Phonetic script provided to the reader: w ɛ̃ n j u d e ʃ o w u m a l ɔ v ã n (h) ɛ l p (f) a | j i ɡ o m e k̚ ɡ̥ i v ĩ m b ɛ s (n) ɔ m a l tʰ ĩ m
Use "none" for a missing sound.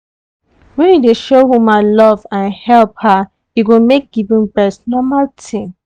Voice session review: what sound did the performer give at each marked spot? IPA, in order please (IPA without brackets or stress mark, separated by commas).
h, h, n